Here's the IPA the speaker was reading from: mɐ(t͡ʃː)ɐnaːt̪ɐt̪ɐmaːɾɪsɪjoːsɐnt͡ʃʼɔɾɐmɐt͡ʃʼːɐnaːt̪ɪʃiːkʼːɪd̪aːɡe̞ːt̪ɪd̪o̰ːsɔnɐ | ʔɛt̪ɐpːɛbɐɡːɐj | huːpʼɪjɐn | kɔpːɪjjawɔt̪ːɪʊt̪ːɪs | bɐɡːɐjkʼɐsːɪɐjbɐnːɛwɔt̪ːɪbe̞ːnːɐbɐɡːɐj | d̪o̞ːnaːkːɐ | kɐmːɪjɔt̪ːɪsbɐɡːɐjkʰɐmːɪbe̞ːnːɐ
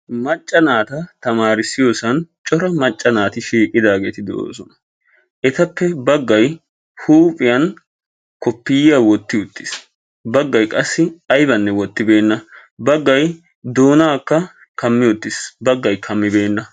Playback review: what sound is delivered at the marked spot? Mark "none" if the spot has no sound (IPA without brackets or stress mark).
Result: t͡ʃʼː